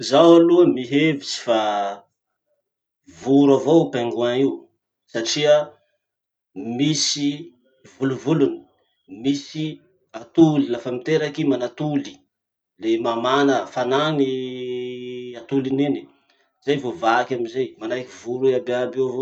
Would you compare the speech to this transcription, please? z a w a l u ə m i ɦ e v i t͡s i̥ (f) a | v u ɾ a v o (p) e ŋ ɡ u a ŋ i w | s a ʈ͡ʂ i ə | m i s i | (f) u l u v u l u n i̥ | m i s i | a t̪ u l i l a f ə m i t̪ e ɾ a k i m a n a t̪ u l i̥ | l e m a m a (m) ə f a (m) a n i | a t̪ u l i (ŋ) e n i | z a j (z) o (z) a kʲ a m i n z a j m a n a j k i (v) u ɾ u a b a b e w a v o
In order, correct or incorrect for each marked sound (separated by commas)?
correct, correct, incorrect, incorrect, incorrect, incorrect, incorrect, incorrect, correct